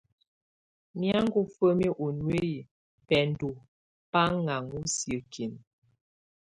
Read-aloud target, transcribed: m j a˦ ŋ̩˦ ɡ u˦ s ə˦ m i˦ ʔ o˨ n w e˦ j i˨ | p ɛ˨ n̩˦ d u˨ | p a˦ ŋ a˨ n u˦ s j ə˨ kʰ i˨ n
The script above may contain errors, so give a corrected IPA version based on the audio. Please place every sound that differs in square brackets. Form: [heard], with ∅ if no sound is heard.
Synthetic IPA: m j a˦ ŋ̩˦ ɡ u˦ [f] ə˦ m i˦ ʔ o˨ n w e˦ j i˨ | p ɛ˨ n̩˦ d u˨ | p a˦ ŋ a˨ [ŋ] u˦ s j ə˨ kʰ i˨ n